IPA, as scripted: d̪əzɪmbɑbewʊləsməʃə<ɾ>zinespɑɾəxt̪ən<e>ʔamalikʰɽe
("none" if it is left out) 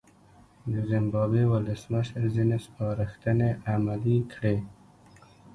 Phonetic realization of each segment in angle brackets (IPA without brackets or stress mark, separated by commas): ɾ, e